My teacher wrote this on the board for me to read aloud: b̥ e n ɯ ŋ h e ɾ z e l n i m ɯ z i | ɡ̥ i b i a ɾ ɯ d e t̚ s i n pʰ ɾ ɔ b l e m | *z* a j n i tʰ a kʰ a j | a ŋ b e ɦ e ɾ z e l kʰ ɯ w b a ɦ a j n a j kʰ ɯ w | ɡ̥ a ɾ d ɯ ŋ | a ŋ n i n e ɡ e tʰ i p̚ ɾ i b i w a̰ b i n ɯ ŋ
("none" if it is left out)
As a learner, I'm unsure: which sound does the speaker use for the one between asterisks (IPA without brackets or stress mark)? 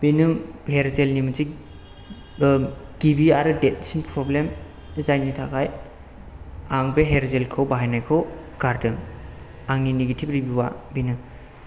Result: z